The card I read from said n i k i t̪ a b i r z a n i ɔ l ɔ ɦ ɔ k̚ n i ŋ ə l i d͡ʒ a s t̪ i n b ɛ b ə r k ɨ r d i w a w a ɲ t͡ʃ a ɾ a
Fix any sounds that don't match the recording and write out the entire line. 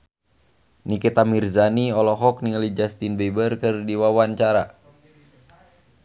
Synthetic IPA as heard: n i k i t̪ a m i r z a n i ɔ l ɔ ɦ ɔ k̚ n i ŋ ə l i d͡ʒ a s t̪ i n b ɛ b ə r k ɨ r d i w a w a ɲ t͡ʃ a ɾ a